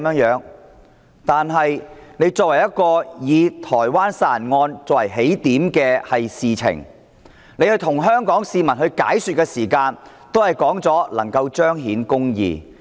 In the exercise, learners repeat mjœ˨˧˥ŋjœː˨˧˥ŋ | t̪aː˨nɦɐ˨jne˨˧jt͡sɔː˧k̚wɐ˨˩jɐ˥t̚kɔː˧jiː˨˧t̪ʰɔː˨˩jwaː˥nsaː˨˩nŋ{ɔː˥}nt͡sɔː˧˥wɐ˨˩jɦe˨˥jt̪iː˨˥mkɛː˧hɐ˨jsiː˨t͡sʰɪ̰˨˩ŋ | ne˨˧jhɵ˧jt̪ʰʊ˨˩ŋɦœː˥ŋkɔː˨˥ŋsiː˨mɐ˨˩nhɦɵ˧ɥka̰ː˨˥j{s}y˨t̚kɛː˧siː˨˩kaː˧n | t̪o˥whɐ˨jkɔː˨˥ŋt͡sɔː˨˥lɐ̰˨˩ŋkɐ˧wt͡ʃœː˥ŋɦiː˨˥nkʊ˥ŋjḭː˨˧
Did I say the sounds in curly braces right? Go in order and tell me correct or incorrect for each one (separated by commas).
incorrect, correct